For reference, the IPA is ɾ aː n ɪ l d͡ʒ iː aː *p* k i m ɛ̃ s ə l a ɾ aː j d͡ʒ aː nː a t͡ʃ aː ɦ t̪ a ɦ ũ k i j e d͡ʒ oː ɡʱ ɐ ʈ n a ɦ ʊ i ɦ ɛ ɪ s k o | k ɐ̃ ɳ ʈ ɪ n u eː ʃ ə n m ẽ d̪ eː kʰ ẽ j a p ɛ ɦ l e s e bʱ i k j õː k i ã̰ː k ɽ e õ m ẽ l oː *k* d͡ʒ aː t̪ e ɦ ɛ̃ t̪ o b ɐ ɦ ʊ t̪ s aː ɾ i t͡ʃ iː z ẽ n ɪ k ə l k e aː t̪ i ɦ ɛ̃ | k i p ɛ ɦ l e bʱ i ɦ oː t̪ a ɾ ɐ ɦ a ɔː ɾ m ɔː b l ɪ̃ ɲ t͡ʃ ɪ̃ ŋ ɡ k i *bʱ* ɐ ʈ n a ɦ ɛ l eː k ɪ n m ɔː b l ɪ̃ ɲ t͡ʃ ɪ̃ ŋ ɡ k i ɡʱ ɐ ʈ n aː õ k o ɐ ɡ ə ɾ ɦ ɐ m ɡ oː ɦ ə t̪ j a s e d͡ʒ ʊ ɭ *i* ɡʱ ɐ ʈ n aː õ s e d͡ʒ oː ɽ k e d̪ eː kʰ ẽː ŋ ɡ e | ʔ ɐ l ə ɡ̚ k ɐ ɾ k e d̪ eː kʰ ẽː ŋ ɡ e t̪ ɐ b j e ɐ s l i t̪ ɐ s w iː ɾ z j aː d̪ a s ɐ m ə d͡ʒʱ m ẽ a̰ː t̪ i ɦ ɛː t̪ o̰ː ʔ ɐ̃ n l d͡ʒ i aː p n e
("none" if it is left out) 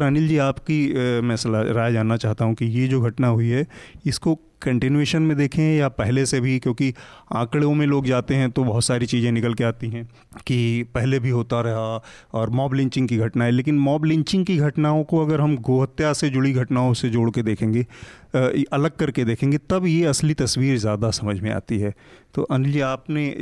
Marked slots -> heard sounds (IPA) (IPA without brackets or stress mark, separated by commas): p, ɡ, ɡʱ, i